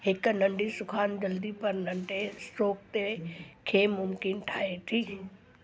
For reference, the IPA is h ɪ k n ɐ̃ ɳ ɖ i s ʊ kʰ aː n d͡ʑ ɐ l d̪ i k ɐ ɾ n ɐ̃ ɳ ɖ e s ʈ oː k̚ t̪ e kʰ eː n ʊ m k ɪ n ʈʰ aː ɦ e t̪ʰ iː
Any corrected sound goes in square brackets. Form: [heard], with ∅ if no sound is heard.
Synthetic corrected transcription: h ɪ k n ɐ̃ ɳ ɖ i s ʊ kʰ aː n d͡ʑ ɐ l d̪ i [p] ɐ ɾ n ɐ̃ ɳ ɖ e s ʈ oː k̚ t̪ e kʰ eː [m] ʊ m k ɪ n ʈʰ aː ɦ e t̪ʰ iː